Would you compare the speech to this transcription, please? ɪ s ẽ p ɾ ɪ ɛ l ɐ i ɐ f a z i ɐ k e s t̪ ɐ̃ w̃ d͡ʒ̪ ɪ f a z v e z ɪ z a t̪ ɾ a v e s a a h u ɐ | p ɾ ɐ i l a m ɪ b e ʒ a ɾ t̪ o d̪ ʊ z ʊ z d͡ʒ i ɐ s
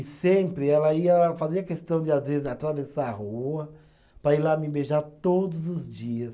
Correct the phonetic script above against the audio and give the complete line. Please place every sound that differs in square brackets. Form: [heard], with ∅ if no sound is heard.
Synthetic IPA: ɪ s ẽ p ɾ ɪ ɛ l ɐ i ɐ f a z i ɐ k e s t̪ ɐ̃ w̃ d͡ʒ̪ ɪ [∅] a z v e z ɪ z a t̪ ɾ a v e s a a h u ɐ | p ɾ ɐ i l a m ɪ b e ʒ a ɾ t̪ o d̪ ʊ z ʊ z d͡ʒ i ɐ s